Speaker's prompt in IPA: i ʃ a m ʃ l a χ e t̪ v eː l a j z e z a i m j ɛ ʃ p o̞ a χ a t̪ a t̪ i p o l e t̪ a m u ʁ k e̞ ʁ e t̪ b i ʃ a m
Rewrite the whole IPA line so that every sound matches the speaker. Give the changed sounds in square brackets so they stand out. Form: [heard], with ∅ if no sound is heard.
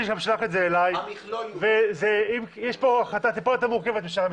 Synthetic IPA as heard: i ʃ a m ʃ l a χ e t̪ [z] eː l a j [v] e z [e] i m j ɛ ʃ p o̞ a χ a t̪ a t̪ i p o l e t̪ a m u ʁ k e̞ [v] e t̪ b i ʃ a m